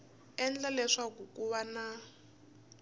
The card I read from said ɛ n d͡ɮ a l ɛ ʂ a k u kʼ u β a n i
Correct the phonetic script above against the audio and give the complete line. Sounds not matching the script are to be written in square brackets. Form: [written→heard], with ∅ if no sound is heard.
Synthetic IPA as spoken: ɛ n d͡ɮ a l ɛ ʂ a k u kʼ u β a n [i→a]